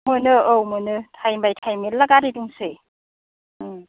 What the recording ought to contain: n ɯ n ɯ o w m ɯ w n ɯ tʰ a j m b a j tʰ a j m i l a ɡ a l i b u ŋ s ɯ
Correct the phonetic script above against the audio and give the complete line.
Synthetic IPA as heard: m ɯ n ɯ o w m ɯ n ɯ tʰ a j m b a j tʰ a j m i l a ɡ a ɾ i d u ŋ s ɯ